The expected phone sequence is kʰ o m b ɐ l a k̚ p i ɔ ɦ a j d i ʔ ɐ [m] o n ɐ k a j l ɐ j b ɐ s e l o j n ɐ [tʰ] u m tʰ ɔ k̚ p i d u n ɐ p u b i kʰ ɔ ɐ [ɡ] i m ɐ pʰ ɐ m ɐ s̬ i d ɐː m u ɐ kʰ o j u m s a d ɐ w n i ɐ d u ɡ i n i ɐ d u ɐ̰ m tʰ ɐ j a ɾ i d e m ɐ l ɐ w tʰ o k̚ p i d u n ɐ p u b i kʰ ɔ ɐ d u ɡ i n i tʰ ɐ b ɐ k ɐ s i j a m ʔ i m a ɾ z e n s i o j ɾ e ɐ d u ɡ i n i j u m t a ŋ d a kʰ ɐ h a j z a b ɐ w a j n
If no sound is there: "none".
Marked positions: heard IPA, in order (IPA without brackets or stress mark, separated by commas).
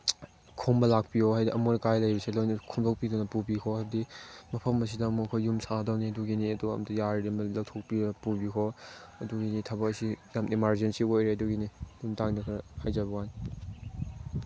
m, kʰ, d